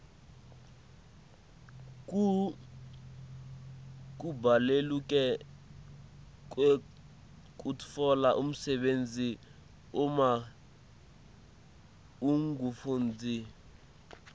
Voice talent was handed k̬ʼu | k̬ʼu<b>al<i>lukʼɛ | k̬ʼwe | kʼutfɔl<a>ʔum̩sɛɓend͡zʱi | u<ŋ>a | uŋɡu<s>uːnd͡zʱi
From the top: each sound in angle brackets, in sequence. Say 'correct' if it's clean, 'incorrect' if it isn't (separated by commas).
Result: correct, incorrect, correct, incorrect, incorrect